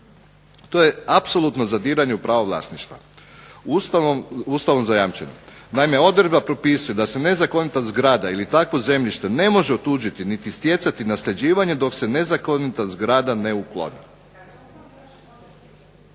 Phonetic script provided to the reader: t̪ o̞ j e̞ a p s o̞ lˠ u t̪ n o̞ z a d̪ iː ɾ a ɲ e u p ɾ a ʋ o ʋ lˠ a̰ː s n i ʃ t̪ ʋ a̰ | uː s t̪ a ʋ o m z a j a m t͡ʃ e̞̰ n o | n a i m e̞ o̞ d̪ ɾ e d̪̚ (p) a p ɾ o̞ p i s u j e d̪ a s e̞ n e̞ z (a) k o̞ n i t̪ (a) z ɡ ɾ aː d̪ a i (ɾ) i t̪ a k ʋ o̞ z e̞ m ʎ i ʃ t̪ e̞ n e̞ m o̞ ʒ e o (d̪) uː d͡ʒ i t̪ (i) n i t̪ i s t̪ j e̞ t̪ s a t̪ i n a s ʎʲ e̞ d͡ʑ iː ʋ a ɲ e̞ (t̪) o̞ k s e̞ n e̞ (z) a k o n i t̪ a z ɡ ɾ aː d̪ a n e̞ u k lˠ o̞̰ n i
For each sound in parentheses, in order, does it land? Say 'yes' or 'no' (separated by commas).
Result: no, yes, yes, no, no, yes, no, yes